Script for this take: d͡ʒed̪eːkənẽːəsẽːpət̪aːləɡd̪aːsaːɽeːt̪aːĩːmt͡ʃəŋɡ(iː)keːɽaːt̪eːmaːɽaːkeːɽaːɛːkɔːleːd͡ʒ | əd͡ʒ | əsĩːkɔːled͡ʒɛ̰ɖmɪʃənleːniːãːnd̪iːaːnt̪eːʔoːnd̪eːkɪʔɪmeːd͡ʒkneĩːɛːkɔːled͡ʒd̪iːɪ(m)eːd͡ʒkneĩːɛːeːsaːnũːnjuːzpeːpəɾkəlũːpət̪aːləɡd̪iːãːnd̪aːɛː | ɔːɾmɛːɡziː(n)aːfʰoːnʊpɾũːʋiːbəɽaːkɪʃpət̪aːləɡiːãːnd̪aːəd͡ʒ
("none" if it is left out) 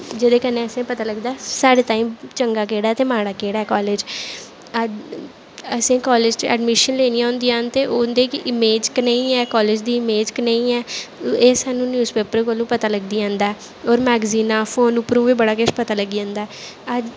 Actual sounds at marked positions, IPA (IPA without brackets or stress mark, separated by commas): aː, m, n